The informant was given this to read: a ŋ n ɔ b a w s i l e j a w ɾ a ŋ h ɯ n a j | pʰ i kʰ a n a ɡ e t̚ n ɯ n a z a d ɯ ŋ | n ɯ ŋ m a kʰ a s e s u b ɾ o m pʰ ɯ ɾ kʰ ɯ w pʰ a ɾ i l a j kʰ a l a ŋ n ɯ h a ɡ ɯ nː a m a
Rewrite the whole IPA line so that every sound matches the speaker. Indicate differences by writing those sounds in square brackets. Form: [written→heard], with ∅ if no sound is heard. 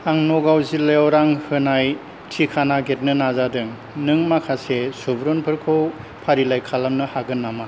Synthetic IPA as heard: a ŋ n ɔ [b→ɡ] a w [s→z] i l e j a w ɾ a ŋ h ɯ n a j | [pʰ→tʰ] i kʰ a n a ɡ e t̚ n ɯ n a z a d ɯ ŋ | n ɯ ŋ m a kʰ a s e s u b ɾ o [m→n] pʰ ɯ ɾ kʰ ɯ w pʰ a ɾ i l a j kʰ a l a [ŋ→m] n ɯ h a ɡ ɯ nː a m a